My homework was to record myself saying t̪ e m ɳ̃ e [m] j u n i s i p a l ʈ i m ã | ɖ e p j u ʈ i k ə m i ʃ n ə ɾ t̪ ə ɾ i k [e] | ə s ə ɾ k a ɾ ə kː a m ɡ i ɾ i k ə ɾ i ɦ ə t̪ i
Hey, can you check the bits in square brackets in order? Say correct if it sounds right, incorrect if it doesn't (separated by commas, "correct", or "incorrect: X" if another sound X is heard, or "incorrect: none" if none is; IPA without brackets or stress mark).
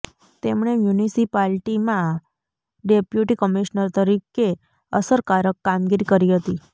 correct, correct